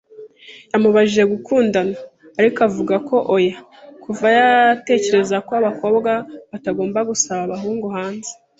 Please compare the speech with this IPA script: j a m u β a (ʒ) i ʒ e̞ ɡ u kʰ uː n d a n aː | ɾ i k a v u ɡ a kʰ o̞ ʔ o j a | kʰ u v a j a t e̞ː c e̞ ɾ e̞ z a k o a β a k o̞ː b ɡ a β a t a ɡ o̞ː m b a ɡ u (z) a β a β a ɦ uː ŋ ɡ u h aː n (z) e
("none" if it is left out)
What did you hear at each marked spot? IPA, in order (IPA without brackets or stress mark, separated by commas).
ʒ, s, z